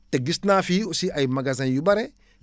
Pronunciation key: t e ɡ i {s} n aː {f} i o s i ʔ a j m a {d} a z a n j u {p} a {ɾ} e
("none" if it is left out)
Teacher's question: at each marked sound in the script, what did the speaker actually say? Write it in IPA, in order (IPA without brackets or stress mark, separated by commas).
s, f, ɡ, b, ɾ